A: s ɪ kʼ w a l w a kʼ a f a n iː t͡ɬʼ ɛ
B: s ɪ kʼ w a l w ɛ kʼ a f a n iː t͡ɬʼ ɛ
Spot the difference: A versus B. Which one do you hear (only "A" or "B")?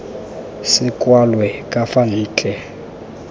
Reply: B